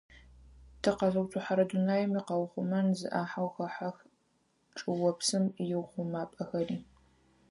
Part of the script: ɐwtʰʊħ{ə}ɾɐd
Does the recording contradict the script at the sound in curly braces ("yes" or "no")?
yes